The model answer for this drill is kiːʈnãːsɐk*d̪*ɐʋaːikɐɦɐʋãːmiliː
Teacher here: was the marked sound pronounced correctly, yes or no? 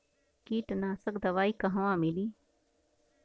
yes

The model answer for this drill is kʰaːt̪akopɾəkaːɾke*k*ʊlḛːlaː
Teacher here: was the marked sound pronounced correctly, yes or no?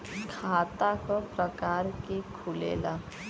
no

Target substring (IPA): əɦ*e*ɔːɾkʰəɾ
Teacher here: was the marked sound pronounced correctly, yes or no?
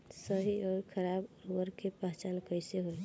no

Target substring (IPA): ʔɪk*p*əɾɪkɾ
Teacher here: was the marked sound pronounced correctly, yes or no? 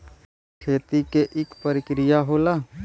yes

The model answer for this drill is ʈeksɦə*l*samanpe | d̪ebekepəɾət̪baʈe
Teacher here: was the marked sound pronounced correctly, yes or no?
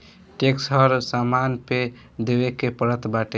no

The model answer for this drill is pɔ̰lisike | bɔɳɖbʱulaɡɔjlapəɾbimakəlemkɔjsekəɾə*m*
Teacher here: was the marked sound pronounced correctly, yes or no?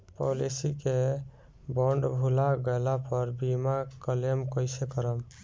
yes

